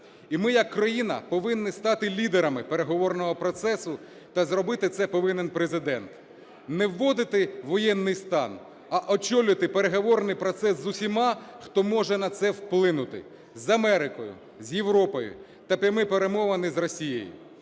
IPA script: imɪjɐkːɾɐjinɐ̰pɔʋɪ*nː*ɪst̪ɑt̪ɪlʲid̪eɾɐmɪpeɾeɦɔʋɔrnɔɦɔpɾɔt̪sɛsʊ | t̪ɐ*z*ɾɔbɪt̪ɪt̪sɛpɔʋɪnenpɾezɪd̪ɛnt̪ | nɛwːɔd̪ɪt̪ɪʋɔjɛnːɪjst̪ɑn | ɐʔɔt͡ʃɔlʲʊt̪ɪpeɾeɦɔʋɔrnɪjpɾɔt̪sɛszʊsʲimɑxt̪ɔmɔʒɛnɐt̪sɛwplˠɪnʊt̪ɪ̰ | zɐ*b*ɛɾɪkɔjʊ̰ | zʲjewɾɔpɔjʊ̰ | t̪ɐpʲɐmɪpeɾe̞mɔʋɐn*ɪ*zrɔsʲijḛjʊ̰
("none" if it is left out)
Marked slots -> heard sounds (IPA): nː, z, m, ɪ

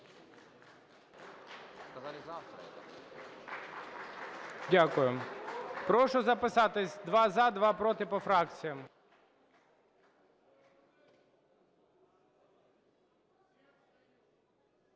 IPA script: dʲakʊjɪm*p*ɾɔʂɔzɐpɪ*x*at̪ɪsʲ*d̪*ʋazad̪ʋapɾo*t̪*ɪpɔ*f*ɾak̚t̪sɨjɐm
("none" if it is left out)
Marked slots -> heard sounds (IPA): p, s, d̪, t̪, f

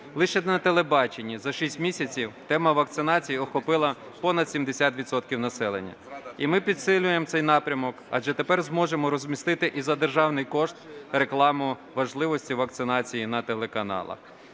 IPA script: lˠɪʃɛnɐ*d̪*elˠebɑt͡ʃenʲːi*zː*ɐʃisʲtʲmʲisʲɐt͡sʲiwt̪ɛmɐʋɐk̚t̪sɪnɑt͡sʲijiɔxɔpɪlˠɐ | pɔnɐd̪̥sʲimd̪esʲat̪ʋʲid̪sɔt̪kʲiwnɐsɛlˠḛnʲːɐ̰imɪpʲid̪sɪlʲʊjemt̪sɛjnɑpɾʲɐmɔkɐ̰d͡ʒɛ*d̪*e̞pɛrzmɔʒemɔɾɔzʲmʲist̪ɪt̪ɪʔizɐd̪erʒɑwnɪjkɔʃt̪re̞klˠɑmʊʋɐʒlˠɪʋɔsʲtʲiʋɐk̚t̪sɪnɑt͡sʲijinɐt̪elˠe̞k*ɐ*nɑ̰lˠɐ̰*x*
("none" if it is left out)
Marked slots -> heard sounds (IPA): t̪, z, t̪, ɐ, x

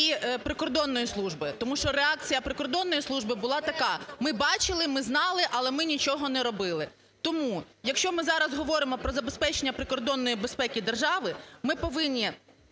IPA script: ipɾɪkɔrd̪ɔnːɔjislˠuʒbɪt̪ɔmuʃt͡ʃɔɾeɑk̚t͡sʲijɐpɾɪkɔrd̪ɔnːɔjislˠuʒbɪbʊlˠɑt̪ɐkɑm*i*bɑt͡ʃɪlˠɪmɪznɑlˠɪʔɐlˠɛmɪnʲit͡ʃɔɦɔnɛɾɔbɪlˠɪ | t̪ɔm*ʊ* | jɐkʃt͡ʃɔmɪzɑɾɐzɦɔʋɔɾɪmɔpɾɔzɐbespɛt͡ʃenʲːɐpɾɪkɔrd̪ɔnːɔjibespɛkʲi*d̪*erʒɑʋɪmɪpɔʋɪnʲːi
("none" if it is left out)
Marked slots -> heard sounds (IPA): ɪ, u, d̪

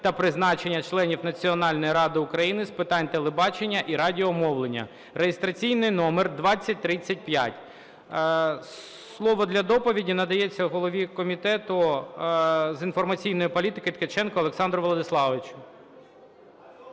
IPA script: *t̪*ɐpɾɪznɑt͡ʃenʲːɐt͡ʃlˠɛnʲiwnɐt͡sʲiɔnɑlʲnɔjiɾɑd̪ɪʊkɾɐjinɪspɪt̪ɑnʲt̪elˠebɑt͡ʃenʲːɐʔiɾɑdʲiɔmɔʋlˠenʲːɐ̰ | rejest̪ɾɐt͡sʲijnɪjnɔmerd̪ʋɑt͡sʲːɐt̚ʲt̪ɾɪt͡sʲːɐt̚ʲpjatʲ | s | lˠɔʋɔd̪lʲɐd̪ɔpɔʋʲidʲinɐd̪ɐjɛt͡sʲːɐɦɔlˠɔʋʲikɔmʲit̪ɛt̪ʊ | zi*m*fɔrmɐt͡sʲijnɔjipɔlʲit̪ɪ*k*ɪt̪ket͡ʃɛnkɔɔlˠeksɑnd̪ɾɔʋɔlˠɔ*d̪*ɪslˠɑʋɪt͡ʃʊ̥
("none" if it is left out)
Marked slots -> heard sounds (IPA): t̪, n, k, d̪

